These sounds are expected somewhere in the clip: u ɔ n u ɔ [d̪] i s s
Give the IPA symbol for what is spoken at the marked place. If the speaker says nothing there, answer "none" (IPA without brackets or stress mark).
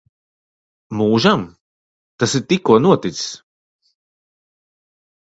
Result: t̪